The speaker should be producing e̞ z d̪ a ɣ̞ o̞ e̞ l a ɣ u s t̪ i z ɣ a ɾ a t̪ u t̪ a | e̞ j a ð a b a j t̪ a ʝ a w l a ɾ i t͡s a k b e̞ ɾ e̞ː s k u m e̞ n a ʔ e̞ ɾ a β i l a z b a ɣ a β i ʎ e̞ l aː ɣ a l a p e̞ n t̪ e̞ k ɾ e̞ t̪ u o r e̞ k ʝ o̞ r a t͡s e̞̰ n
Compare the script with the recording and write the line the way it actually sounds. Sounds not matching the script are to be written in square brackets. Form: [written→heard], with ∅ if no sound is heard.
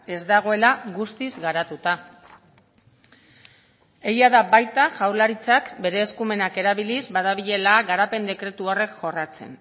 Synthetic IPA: e̞ z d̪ a ɣ̞ o̞ e̞ l a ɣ u s t̪ i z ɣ a ɾ a t̪ u t̪ a | e̞ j a ð a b a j t̪ a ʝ a w l a ɾ i t͡s a k b e̞ ɾ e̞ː s k u m e̞ n a [ʔ→k] e̞ ɾ a β i l [a→i] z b a [ɣ→ð] a β i ʎ e̞ l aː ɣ a [l→ɾ] a p e̞ n [t̪→d̪] e̞ k ɾ e̞ t̪ u o r e̞ k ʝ o̞ r a t͡s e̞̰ n